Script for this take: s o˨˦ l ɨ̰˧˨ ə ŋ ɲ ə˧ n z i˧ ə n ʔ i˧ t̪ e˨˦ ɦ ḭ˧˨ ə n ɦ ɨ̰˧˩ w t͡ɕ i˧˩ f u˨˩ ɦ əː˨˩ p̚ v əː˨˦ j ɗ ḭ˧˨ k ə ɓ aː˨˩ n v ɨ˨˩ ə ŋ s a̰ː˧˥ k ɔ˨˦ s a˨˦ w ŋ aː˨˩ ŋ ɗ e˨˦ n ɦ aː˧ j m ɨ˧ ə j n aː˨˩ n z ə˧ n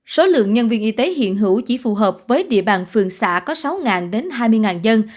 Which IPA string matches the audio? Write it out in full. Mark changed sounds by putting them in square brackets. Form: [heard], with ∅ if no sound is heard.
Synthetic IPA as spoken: s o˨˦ l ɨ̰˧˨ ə ŋ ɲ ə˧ n [v] i˧ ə n ʔ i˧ t̪ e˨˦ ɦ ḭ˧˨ ə n ɦ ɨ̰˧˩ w t͡ɕ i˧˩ f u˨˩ ɦ əː˨˩ p̚ v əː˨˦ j ɗ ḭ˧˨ [∅] ə ɓ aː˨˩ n [f] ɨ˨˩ ə ŋ s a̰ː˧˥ k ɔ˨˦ s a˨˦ w ŋ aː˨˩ [n] ɗ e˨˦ n ɦ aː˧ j m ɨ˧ ə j [ŋ] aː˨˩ n z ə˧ n